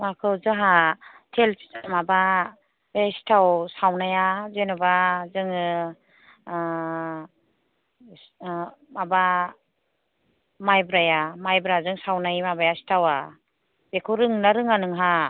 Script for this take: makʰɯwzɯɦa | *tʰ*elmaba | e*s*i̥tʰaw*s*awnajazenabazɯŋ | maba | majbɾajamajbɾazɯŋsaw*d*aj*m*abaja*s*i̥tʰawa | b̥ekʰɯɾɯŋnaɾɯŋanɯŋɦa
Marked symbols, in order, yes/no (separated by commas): yes, yes, yes, no, yes, yes